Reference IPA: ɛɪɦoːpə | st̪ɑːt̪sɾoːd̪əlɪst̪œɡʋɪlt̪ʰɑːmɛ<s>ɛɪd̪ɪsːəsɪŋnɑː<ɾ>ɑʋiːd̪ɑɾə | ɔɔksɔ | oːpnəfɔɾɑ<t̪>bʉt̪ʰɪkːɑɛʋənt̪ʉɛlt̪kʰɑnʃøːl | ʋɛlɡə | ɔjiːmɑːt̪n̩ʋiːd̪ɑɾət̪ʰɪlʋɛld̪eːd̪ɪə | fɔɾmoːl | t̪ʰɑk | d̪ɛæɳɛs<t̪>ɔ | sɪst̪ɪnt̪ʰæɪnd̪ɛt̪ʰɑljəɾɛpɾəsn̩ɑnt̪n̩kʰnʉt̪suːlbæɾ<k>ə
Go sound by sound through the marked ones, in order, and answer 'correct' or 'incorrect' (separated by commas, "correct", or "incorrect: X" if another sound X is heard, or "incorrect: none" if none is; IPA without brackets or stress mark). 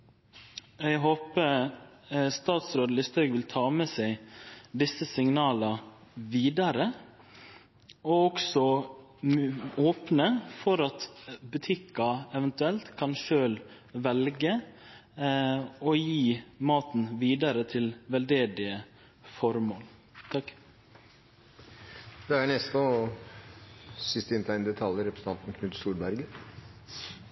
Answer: correct, incorrect: l, correct, correct, incorrect: ɡ